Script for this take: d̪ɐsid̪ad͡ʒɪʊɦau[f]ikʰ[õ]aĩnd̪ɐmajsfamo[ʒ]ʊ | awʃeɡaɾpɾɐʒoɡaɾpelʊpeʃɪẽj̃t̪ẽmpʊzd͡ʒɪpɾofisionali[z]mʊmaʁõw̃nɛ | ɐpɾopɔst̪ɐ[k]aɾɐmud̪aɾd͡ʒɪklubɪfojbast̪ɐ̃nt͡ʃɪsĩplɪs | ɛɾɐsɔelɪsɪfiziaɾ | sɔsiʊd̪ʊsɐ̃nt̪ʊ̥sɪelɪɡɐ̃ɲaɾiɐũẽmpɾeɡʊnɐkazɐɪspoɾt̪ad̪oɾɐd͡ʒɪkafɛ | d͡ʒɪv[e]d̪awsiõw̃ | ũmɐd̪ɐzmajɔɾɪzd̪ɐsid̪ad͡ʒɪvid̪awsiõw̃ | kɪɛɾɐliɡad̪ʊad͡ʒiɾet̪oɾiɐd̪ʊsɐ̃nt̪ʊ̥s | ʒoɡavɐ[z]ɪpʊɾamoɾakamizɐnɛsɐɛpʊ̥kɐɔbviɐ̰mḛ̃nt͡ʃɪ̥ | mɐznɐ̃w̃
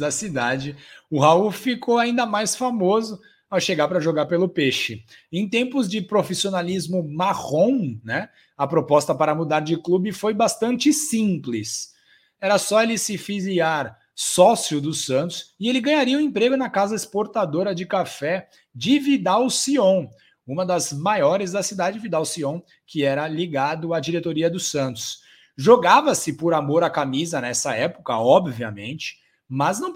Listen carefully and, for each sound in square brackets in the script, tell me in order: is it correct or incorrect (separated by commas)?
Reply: correct, incorrect, incorrect, correct, incorrect, incorrect, incorrect